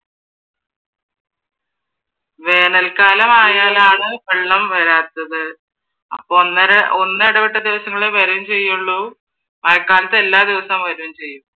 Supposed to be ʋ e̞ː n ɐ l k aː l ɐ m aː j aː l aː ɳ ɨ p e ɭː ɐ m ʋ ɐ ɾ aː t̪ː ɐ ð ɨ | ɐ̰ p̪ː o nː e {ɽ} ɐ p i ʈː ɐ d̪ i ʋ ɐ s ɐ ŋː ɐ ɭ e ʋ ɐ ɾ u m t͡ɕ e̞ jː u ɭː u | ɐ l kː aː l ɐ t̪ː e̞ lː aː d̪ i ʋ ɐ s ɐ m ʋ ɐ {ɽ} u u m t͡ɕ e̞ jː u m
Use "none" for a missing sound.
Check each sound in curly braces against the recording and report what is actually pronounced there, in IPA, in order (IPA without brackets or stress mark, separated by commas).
ɽ, ɾ